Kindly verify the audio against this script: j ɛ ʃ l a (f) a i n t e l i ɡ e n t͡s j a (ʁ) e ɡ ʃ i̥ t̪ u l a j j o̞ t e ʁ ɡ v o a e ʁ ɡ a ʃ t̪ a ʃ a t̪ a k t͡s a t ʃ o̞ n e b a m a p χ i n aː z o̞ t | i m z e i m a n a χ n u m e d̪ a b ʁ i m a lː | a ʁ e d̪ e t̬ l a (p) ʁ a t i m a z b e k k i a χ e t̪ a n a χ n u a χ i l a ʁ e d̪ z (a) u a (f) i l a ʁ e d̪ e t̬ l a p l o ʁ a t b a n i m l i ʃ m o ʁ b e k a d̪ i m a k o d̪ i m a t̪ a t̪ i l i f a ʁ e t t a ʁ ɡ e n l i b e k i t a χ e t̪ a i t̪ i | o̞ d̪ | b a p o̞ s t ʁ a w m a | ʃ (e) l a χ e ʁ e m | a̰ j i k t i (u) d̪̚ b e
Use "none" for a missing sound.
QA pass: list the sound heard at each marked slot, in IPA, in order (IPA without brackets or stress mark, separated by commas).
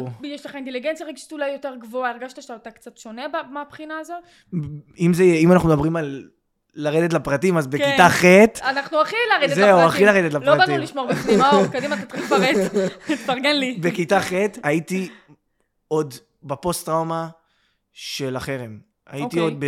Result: χ, ʁ, p, e, χ, e, o